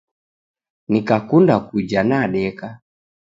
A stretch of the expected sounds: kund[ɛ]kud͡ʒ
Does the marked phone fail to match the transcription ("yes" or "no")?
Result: yes